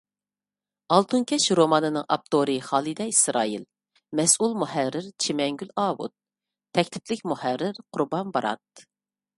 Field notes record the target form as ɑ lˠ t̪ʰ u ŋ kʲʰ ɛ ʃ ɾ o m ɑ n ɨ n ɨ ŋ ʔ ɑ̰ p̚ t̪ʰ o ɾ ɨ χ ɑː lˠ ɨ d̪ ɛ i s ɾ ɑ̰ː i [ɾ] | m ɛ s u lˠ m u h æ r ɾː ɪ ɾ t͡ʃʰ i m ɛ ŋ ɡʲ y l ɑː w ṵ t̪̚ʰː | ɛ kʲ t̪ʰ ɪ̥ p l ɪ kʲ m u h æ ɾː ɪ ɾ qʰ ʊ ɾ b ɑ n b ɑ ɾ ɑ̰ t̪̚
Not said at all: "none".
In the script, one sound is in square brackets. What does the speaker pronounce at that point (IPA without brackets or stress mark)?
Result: l